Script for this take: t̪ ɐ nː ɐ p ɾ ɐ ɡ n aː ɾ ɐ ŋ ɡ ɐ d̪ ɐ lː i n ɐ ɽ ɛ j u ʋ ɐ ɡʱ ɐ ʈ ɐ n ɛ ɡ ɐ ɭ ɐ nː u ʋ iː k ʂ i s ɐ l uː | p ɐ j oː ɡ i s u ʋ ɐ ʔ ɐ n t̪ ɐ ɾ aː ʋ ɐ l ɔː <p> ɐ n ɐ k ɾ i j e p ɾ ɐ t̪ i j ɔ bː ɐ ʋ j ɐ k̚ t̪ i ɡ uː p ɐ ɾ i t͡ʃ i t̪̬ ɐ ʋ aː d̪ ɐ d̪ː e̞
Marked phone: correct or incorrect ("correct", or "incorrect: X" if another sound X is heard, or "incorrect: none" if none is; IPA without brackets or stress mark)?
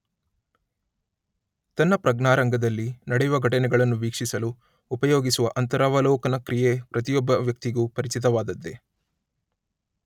incorrect: k